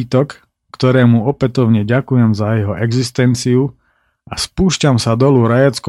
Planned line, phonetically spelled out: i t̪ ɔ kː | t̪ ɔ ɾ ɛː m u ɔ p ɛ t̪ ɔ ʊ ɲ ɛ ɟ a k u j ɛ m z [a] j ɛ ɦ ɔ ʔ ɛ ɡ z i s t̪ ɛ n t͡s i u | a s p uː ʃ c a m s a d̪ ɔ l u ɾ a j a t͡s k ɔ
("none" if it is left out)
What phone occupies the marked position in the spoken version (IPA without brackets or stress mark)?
a